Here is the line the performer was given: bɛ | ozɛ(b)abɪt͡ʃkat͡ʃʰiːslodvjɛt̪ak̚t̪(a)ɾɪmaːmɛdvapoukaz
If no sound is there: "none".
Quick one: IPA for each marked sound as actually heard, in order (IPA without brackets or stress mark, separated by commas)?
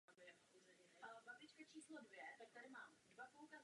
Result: b, a